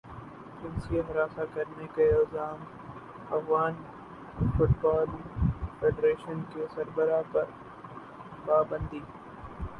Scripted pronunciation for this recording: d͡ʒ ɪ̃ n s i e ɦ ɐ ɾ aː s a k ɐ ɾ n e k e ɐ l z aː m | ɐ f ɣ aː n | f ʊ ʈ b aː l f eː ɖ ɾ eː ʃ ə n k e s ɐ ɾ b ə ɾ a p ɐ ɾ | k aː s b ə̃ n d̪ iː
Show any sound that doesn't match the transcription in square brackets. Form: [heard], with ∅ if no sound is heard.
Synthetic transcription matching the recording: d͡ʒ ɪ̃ n s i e ɦ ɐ ɾ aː s a k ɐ ɾ n e k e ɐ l z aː m | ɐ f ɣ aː n | f ʊ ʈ b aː l f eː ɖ ɾ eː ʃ ə n k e s ɐ ɾ b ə ɾ a p ɐ ɾ | [p] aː [∅] b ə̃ n d̪ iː